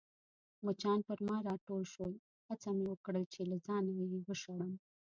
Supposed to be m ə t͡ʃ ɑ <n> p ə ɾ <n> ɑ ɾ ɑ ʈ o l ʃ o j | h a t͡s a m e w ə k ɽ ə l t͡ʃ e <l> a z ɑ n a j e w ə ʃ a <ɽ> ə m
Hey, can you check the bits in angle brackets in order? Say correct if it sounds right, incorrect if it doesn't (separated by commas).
correct, incorrect, correct, correct